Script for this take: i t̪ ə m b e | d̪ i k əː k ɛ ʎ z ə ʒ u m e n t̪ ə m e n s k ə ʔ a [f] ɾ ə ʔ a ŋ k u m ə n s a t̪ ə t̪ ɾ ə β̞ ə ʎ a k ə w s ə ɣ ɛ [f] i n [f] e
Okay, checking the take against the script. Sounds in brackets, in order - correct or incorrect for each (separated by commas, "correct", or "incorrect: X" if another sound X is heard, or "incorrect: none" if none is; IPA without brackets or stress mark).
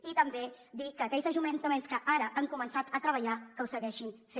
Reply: incorrect: none, incorrect: ʃ, correct